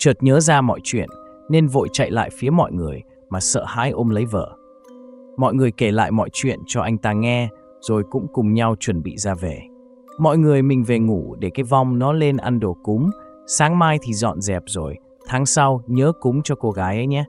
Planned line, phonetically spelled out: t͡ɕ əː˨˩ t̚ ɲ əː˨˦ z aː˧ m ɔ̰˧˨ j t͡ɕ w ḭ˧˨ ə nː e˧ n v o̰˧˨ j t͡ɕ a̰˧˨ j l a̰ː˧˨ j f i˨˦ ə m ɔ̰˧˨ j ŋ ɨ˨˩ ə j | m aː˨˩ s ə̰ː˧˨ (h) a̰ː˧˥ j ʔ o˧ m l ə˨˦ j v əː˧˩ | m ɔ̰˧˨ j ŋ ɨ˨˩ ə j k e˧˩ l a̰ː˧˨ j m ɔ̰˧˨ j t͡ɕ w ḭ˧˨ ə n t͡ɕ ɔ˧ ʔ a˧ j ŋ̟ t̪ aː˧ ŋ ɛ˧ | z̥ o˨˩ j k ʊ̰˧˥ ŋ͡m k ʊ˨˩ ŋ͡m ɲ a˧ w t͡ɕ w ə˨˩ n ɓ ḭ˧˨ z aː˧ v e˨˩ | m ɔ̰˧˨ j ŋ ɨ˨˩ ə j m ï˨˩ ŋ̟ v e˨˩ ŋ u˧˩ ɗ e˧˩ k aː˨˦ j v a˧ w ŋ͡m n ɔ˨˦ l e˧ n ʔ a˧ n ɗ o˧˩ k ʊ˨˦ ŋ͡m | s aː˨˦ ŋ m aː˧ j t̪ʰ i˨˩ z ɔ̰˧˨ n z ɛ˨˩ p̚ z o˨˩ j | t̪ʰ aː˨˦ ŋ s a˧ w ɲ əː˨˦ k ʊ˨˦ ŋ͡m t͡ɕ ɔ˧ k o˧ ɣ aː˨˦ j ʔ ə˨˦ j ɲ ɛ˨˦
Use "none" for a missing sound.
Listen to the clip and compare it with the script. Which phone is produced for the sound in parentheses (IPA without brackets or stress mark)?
h